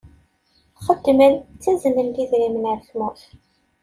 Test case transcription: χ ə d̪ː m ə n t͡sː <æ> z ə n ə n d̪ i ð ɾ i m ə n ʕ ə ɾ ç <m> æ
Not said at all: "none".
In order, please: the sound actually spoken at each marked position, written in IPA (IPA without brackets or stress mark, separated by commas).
æ, m